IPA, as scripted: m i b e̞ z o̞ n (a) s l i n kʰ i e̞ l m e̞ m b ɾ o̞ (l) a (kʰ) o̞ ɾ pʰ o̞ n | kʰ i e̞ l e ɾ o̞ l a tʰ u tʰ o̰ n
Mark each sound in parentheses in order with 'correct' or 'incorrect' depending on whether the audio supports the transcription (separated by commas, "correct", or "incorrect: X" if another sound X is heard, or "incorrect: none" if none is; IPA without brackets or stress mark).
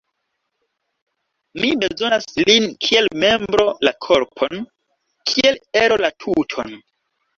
correct, correct, correct